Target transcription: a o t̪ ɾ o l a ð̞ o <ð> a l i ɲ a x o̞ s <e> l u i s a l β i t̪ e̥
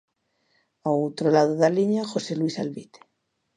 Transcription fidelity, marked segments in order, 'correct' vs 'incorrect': correct, correct

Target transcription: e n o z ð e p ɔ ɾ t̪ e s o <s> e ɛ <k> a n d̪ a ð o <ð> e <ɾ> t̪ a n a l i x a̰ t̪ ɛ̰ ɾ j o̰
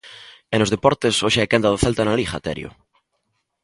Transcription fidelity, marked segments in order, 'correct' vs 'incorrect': incorrect: ʃ, correct, incorrect: θ, incorrect: l

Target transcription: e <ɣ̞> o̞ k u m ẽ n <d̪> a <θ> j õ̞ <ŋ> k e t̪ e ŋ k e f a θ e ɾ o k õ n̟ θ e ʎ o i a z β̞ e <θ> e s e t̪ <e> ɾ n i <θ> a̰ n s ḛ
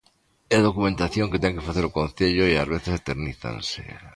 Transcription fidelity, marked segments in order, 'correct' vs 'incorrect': incorrect: ð̞, incorrect: t̪, correct, correct, correct, correct, correct

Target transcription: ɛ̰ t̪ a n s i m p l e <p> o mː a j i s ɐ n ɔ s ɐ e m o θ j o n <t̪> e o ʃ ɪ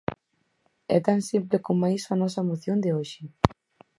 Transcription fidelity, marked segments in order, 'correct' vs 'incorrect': incorrect: k, incorrect: d̪

